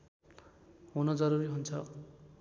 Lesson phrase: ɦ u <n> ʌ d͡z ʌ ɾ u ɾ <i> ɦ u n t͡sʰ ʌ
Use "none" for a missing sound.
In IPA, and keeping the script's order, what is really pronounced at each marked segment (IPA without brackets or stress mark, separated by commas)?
n, i